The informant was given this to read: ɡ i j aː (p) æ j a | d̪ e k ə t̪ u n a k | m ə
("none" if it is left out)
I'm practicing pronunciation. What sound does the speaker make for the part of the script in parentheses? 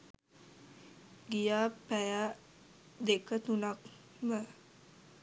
p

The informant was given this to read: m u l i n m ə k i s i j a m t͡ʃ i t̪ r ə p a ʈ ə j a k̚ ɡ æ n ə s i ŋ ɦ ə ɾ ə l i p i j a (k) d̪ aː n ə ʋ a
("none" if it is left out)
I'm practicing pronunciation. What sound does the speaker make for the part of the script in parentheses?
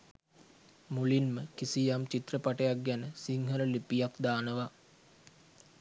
k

